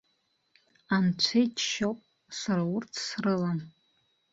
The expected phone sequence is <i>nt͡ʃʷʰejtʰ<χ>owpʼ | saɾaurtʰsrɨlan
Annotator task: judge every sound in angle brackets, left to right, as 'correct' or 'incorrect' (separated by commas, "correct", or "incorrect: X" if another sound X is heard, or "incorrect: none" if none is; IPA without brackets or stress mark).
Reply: incorrect: a, incorrect: ʃ